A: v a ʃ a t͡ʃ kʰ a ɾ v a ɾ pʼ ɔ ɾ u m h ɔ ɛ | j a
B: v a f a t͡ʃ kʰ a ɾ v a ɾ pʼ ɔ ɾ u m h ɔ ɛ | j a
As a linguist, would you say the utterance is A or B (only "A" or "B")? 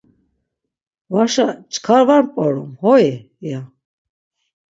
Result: A